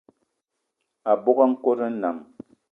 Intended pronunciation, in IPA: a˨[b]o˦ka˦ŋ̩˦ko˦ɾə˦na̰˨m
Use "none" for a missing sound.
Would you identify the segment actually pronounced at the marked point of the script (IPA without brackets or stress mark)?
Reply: b